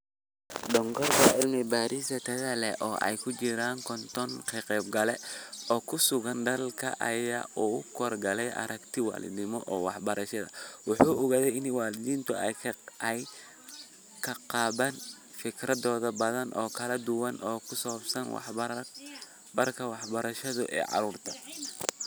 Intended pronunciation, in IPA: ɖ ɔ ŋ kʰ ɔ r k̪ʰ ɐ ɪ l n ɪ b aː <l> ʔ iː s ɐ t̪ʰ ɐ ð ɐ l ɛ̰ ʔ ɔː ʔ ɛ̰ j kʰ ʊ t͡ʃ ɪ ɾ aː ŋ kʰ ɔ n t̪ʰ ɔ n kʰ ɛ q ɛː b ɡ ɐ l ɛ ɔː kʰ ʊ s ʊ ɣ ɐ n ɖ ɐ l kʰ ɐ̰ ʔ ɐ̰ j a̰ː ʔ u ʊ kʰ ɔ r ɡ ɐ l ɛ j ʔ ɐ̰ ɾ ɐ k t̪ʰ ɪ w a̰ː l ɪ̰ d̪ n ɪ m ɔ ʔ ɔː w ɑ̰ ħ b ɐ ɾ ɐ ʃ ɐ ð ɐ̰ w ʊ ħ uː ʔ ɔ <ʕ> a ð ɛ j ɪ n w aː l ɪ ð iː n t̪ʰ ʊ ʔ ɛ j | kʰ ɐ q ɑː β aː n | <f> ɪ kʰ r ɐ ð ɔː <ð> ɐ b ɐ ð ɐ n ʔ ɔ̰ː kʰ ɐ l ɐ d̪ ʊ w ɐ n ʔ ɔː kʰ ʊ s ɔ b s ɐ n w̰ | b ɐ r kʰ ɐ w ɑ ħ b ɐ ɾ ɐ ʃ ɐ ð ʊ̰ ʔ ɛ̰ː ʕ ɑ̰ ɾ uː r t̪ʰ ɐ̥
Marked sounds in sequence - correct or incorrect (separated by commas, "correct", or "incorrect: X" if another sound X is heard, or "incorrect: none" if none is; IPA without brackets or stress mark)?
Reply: incorrect: ɾ, incorrect: ɣ, correct, correct